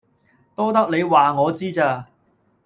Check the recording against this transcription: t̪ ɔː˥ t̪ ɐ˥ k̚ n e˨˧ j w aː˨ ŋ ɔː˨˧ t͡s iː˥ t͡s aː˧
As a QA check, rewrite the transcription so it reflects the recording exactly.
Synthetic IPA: t̪ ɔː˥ t̪ ɐ˥ k̚ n e˨˧ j w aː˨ ŋ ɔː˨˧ t͡s iː˥ t͡s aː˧